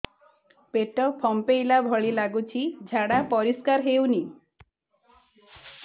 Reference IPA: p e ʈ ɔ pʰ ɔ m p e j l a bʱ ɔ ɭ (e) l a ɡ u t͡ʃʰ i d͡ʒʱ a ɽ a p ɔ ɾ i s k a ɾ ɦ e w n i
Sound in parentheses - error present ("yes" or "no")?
yes